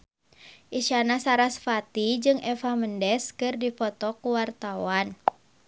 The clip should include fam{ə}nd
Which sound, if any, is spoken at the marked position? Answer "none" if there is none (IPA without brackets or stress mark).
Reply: ə